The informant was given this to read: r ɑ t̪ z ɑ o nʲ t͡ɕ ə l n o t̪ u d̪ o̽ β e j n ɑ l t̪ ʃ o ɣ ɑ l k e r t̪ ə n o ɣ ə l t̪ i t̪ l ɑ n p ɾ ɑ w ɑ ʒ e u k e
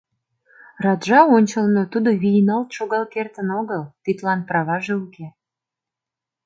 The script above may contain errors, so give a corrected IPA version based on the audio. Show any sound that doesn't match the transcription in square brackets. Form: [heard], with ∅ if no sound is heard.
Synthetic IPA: r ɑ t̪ [ʒ] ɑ o nʲ t͡ɕ ə l n o t̪ u d̪ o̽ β [i] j n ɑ l t̪ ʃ o ɣ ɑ l k e r t̪ ə n o ɣ ə l t̪ i t̪ l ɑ n p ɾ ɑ [β] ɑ ʒ e u k e